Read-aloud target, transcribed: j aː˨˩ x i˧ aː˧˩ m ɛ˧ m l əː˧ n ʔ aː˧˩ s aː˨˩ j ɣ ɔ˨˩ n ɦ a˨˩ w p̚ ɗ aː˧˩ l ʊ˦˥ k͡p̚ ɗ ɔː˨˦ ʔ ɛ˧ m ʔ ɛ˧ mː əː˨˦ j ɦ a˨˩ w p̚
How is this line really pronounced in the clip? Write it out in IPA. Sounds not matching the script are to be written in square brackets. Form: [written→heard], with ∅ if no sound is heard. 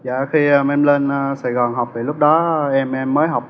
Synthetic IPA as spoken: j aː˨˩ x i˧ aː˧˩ m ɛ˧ m l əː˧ n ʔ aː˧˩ s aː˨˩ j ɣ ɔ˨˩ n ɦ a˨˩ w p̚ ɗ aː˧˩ l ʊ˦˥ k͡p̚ ɗ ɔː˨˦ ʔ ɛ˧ m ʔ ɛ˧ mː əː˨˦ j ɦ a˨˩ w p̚